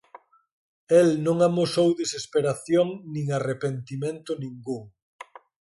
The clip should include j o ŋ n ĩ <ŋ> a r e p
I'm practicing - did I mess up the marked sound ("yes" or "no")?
no